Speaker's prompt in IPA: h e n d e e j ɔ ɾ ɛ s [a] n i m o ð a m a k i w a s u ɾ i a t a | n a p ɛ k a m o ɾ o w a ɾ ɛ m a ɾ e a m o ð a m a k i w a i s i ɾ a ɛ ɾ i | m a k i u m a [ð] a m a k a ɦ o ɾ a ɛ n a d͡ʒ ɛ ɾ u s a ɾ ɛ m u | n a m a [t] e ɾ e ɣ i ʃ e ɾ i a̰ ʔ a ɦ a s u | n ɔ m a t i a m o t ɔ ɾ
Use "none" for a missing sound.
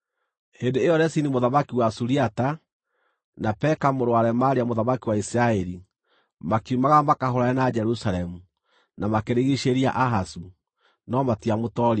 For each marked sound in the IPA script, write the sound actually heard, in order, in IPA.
i, ɣ, k

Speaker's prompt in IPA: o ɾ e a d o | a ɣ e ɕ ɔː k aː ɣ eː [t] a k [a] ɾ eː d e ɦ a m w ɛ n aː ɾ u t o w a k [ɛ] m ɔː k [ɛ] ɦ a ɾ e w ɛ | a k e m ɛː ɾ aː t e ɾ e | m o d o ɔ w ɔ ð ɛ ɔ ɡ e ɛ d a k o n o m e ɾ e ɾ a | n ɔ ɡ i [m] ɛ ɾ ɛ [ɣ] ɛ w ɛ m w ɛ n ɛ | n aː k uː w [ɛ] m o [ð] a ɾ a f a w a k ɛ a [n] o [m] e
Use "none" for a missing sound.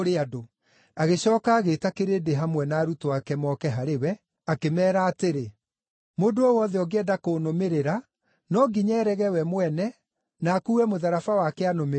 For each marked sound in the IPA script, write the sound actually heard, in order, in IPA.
t, e, ɛ, ɛ, ɲ, ɣ, ɛ, ð, n, m

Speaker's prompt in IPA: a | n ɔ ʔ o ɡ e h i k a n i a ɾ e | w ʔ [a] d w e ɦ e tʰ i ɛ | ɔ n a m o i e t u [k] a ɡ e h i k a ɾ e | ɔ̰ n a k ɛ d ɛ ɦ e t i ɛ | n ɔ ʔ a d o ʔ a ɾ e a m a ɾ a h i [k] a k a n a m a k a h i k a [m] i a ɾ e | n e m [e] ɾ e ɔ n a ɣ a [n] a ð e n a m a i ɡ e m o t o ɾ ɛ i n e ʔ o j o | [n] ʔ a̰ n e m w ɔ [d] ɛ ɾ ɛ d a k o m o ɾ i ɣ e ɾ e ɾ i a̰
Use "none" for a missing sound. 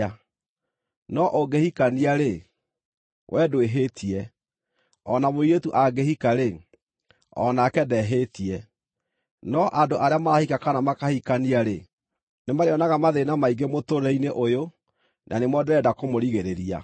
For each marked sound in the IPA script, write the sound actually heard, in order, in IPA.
ɛ, ʔ, k, n, a, m, n, d

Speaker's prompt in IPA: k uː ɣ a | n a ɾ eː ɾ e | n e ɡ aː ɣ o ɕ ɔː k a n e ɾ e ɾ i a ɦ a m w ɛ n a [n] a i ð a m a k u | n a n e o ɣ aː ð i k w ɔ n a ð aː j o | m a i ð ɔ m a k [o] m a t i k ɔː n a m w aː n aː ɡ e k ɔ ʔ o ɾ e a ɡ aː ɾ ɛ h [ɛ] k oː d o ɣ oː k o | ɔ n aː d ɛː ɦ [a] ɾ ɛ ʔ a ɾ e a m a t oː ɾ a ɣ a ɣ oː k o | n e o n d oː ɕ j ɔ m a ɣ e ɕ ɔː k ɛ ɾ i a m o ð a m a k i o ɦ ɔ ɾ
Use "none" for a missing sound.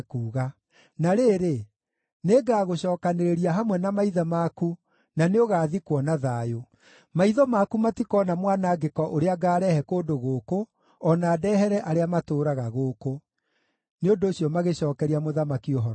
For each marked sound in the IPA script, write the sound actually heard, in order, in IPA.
m, u, ɛ, ɛ

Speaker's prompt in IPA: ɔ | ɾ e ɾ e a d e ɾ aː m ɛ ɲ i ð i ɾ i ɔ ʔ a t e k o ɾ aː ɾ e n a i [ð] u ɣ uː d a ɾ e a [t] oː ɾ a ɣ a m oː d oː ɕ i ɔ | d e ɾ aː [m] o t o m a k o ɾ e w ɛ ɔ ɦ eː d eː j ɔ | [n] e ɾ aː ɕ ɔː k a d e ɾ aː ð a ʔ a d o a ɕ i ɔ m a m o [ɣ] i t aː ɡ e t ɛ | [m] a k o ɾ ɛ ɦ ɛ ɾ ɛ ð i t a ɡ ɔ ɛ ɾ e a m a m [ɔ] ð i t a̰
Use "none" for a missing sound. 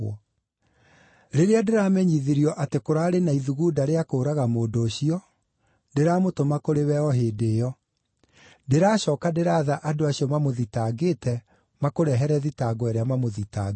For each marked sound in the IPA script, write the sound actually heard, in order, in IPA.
ð, k, m, d, ð, m, o

